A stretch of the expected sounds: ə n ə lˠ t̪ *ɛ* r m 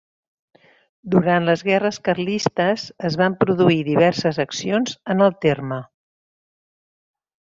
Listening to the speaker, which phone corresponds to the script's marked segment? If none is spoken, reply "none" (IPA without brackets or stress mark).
e